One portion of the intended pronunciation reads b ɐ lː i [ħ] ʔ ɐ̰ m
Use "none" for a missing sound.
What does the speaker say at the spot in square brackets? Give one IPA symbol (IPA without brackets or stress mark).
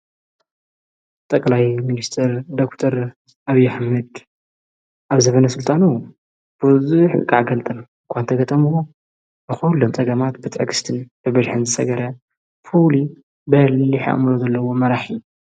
ħ